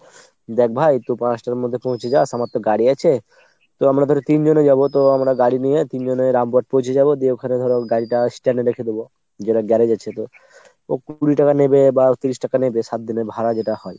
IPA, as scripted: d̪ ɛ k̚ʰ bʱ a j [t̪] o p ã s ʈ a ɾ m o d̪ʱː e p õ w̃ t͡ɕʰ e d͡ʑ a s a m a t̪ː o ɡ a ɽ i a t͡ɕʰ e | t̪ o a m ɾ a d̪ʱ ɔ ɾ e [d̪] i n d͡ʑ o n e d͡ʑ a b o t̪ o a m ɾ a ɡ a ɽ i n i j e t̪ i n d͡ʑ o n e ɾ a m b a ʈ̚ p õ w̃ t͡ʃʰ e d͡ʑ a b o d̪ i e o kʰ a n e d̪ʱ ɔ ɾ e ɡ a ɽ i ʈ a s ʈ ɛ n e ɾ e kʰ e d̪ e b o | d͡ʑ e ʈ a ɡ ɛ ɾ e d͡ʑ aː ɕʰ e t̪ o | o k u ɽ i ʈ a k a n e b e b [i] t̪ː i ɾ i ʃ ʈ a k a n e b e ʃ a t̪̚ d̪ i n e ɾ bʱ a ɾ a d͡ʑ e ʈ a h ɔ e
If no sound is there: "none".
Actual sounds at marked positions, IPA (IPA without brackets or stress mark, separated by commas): t̪, t̪, a